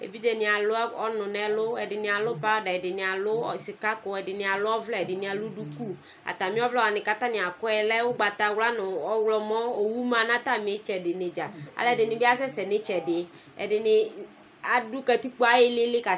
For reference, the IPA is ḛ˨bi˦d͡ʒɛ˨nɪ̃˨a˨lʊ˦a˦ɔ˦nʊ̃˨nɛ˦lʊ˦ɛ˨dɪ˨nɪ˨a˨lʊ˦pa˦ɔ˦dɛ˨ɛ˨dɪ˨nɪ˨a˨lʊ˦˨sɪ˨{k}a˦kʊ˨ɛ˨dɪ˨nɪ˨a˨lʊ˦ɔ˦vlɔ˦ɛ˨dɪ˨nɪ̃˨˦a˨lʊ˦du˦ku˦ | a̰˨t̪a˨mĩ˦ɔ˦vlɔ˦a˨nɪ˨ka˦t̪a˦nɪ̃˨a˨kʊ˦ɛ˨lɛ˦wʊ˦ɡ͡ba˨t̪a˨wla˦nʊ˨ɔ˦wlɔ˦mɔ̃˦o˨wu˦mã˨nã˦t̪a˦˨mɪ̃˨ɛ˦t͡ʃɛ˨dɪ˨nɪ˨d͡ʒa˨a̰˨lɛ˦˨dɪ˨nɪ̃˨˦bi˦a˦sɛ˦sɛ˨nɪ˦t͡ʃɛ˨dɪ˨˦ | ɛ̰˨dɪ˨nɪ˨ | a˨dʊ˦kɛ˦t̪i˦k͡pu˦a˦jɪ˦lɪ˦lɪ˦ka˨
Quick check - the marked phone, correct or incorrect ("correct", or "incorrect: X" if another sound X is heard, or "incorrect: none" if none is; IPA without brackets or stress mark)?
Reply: correct